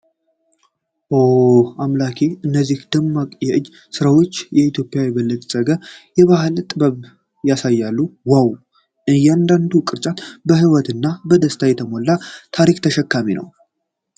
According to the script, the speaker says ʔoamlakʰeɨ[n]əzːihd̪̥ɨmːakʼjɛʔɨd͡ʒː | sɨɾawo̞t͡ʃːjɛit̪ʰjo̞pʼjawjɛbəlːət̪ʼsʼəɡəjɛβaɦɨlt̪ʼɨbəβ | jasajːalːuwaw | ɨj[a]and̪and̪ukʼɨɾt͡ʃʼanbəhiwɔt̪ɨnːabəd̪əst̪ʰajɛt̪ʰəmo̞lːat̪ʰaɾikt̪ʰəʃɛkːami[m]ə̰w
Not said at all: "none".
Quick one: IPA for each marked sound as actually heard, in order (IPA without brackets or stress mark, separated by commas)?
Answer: nː, ɛ, n